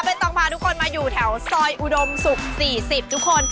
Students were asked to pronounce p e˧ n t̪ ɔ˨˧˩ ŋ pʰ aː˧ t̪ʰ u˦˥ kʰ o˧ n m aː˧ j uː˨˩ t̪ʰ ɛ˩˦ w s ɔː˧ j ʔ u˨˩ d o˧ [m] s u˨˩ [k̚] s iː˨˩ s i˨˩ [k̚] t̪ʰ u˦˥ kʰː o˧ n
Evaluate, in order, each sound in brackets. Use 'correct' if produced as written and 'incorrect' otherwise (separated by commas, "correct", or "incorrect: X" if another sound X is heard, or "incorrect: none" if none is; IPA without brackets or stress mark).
correct, correct, incorrect: p̚